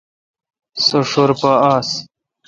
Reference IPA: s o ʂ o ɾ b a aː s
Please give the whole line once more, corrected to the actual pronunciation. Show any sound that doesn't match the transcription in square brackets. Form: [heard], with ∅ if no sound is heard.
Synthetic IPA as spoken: s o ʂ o ɾ [p] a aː s